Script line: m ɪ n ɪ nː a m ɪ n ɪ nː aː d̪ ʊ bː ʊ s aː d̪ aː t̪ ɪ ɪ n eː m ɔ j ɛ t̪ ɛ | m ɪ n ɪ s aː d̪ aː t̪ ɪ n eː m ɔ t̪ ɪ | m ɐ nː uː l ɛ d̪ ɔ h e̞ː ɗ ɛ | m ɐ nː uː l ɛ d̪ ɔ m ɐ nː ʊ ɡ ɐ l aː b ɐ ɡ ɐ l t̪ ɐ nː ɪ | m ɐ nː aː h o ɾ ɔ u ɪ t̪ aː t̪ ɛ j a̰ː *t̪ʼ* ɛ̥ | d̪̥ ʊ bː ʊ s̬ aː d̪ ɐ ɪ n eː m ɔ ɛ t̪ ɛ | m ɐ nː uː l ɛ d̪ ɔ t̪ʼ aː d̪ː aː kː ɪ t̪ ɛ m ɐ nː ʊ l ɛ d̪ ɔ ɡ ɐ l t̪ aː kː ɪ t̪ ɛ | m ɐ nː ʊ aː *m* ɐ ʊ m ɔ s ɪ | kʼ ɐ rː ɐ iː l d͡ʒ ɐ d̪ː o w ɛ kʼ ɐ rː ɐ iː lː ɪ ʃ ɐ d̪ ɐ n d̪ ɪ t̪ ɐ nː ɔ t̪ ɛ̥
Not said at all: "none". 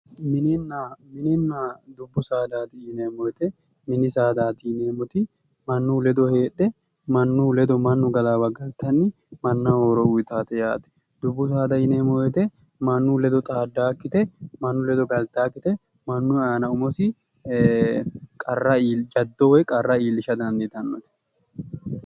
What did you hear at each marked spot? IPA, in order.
t̪, n

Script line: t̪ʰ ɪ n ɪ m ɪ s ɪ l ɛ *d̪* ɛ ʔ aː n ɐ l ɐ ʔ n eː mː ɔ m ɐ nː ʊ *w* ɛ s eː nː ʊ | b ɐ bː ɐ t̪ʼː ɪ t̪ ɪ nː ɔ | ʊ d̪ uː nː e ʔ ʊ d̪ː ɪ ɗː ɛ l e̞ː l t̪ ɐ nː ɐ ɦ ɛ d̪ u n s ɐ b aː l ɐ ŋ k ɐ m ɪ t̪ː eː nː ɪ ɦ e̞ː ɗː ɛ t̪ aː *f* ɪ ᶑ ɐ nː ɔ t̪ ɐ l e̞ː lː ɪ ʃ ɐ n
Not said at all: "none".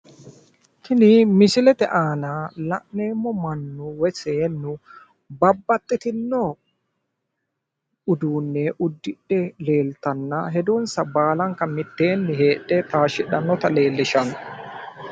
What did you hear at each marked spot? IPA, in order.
t̪, w, ʃ

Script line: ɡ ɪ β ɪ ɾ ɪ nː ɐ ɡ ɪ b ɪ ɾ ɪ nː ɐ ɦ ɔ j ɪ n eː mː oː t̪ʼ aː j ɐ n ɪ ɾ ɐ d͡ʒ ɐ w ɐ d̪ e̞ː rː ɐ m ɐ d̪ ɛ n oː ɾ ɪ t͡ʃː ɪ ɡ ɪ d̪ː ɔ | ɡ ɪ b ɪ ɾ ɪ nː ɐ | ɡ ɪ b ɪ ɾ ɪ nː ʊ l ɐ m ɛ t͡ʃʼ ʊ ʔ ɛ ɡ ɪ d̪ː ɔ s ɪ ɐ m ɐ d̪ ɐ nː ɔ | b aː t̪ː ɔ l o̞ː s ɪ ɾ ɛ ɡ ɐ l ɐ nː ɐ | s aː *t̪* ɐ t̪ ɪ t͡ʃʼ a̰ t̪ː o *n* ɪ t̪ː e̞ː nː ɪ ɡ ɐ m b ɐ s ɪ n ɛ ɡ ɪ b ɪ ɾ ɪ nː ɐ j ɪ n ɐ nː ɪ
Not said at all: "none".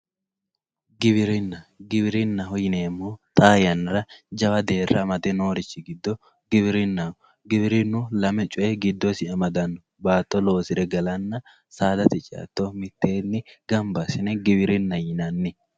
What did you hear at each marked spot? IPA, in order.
d̪, m

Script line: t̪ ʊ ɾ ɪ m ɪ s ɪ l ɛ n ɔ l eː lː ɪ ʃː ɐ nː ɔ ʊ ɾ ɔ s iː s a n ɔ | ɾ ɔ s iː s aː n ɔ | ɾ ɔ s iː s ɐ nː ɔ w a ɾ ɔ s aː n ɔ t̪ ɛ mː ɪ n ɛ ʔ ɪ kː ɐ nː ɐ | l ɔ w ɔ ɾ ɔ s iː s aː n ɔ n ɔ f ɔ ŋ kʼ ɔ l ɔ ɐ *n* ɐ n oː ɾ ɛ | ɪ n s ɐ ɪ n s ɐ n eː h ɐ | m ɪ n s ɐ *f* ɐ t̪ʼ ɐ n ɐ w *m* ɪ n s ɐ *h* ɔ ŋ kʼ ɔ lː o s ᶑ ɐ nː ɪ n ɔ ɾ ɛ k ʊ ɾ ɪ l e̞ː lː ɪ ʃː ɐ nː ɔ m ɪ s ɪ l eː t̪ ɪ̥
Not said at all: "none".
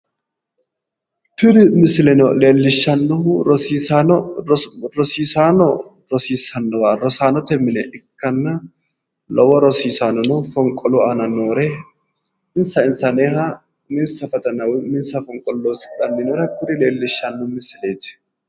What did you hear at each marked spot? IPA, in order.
n, f, m, f

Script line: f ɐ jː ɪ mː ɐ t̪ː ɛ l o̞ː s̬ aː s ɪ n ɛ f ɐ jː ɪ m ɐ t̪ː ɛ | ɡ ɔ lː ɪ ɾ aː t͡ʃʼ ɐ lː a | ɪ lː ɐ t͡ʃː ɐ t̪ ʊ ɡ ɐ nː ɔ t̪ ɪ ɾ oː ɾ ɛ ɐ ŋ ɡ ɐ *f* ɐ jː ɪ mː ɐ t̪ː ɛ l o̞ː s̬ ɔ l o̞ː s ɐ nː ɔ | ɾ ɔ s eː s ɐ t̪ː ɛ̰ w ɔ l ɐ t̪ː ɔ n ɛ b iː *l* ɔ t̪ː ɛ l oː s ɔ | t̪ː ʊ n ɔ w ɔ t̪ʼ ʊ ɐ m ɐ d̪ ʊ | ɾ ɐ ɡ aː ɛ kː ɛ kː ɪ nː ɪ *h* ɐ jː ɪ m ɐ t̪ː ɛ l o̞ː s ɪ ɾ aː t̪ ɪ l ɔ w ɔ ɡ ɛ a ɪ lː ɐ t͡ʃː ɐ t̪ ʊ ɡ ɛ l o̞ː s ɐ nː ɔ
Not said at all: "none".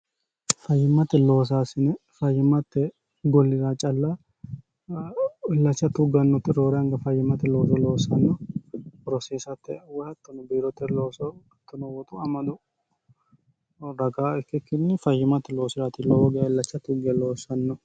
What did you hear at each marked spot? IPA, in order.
f, ɾ, f

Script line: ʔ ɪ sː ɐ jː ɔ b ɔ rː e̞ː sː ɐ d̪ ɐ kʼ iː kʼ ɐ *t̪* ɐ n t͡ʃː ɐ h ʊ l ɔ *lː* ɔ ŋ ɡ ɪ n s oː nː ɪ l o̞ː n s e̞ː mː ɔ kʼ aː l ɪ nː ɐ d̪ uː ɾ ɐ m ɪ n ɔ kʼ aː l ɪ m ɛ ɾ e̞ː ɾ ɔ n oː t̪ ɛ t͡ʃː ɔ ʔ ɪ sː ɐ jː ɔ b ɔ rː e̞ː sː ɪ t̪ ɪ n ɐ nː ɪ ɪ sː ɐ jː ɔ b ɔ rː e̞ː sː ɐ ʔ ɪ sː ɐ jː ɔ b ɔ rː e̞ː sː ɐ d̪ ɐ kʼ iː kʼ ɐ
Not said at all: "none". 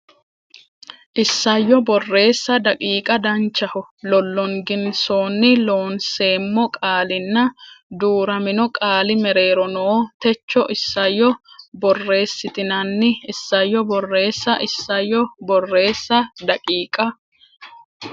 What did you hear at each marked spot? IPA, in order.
d̪, lː

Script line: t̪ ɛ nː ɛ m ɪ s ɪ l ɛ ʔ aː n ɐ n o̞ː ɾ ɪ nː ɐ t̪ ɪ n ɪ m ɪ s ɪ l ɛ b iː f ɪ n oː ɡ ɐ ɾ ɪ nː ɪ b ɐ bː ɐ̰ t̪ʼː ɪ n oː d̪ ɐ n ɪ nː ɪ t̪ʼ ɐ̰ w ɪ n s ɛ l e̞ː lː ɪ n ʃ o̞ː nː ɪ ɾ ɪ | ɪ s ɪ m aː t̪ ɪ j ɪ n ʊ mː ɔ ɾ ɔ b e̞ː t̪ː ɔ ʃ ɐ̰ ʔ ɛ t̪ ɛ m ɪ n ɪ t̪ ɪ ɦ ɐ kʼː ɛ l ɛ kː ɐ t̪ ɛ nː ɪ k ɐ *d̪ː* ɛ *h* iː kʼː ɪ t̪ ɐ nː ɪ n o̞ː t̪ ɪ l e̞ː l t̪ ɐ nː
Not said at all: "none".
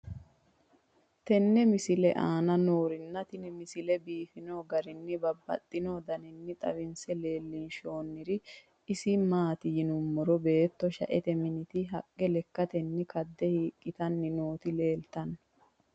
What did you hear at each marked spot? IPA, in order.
d̪ː, h

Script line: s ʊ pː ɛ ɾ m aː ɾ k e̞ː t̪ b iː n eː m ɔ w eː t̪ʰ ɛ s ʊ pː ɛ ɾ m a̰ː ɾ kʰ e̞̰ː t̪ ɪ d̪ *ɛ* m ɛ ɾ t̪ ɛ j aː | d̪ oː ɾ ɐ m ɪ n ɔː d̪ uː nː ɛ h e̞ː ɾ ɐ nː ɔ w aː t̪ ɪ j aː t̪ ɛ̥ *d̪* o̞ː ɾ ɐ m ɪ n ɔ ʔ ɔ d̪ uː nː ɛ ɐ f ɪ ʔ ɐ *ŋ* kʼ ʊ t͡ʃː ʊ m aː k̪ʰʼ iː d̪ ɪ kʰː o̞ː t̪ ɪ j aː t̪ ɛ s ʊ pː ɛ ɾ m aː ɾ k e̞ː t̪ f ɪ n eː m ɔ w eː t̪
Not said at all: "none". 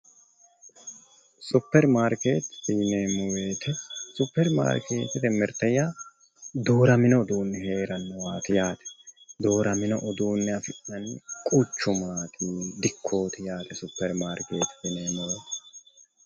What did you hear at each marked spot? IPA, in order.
ɛ, d̪, n

